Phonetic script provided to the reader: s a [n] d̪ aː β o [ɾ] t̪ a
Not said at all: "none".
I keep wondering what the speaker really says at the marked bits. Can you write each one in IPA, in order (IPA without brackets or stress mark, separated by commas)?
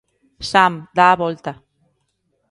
m, l